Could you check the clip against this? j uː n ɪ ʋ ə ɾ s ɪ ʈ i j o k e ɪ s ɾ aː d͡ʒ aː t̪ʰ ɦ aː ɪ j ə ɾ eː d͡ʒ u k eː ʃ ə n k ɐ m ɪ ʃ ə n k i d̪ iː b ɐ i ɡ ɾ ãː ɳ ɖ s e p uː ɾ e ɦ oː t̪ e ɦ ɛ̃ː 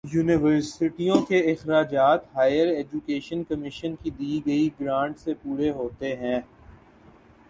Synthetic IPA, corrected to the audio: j uː n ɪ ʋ ə ɾ s ɪ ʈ i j õ k e ɪ x ɾ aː d͡ʒ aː t̪ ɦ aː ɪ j ə ɾ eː d͡ʒ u k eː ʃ ə n k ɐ m ɪ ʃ ə n k i d̪ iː ɡ ɐ i ɡ ɾ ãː ɳ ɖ s e p uː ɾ e ɦ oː t̪ e ɦ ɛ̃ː